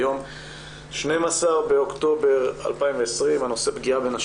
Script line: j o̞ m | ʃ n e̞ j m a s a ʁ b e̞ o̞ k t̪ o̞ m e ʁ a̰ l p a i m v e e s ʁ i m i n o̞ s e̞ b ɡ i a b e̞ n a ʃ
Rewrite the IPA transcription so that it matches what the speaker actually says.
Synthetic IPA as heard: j o̞ m | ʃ n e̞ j m a s a ʁ b e̞ o̞ k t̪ o̞ b e ʁ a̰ l p a i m v e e s ʁ i m a n o̞ s e̞ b ɡ i a b e̞ n a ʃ